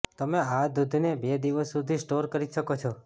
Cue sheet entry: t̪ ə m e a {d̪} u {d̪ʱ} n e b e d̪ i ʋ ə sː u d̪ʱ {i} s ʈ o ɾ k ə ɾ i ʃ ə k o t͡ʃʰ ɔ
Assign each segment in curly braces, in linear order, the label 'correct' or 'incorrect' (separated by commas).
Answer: correct, correct, correct